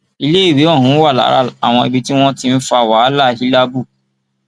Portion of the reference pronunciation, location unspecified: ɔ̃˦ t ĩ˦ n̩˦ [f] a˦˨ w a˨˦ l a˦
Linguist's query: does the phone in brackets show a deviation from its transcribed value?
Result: no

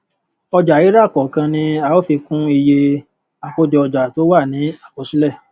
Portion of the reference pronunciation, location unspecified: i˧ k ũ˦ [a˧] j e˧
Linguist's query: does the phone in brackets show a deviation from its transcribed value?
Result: yes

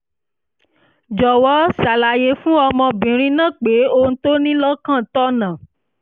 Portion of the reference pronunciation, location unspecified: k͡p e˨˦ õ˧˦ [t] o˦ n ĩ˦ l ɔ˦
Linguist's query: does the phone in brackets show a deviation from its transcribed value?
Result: no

